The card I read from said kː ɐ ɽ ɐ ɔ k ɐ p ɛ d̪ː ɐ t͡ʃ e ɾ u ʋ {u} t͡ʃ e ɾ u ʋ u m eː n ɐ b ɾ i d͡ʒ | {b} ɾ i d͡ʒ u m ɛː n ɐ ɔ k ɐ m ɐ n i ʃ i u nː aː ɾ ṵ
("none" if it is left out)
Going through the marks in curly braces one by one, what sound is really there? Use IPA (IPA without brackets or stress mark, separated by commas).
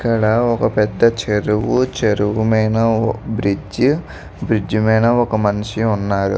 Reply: u, b